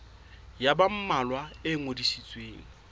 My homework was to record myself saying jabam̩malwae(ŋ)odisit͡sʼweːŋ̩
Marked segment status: correct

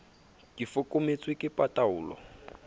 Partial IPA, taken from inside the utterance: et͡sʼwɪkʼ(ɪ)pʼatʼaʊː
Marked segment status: correct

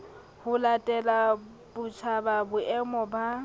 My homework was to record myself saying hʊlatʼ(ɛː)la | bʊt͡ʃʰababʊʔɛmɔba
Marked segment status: incorrect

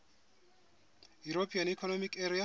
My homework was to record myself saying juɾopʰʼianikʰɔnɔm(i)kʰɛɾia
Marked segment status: correct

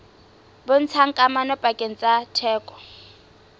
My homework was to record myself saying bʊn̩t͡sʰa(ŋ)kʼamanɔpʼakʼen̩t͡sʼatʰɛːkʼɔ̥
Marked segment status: correct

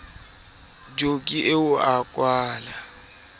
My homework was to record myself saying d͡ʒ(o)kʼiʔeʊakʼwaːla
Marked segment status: correct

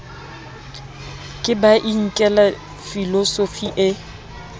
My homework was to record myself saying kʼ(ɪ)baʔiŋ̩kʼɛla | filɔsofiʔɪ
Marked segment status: correct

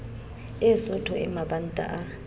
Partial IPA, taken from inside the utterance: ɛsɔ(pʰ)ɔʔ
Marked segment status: incorrect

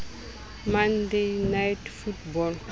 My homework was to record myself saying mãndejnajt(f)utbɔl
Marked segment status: correct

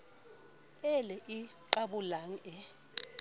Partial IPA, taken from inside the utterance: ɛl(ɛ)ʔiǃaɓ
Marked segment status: correct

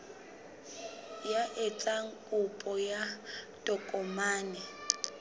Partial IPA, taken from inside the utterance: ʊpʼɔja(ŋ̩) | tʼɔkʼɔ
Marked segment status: incorrect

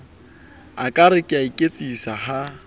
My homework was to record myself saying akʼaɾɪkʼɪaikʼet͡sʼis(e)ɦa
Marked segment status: incorrect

